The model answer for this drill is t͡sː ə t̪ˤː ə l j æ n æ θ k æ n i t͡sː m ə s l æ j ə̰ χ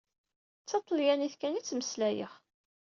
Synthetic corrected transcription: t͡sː ɑ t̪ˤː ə l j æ n i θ k æ n i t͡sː m ə s l æ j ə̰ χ